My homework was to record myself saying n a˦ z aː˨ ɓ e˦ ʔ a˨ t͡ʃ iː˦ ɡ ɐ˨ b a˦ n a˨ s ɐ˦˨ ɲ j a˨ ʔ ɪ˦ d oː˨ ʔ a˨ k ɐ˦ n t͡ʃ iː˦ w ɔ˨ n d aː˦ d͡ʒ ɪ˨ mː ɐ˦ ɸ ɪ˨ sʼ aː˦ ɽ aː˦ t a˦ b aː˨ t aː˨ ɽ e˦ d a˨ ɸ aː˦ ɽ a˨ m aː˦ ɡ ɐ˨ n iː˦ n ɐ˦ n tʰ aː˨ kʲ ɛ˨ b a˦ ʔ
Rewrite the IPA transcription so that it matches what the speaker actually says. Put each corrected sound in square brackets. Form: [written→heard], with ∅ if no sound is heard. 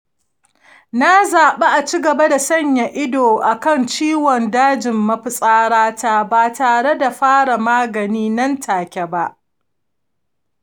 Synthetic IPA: n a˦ z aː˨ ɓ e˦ ʔ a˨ t͡ʃ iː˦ ɡ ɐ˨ b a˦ [n→d] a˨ s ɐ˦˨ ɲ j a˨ ʔ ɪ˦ d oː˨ ʔ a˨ k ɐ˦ n t͡ʃ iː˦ w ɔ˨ n d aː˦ d͡ʒ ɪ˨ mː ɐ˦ ɸ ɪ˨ sʼ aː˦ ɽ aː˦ t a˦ b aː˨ t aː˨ ɽ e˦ d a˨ ɸ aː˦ ɽ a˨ m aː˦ ɡ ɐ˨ n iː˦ n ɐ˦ n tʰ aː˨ kʲ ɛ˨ b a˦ ʔ